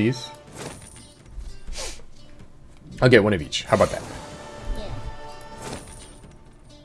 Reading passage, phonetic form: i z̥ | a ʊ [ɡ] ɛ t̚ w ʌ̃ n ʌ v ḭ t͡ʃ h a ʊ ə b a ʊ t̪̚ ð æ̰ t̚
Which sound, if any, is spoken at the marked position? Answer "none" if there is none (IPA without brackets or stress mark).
ɡ